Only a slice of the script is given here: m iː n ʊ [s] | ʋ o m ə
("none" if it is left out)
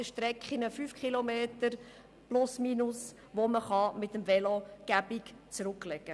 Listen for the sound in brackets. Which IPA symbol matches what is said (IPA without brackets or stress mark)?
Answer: s